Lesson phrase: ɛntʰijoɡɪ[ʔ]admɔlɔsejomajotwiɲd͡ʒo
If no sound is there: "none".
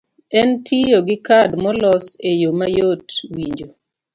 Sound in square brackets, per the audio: k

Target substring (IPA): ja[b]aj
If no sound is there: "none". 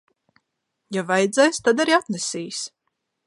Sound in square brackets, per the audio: v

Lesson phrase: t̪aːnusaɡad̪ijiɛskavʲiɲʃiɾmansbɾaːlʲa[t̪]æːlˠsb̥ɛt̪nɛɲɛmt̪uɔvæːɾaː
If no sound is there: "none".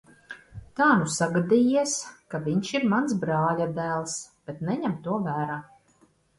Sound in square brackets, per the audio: d̪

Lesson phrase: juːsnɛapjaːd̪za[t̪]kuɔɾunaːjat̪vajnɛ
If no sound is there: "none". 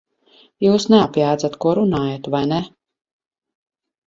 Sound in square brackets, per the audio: t̪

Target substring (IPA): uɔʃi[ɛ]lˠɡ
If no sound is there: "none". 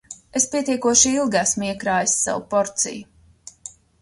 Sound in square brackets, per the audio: i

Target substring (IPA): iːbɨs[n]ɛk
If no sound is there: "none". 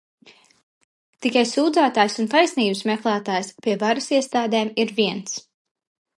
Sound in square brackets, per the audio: m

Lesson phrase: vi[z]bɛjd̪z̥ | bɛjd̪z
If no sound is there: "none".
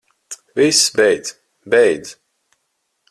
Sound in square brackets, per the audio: s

